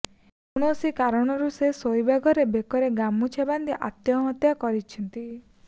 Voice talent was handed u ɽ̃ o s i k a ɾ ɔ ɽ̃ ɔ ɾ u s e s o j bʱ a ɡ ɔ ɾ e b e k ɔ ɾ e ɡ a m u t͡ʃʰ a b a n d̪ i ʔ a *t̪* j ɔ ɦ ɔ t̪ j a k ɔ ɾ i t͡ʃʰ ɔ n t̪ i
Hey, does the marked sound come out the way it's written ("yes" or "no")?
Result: yes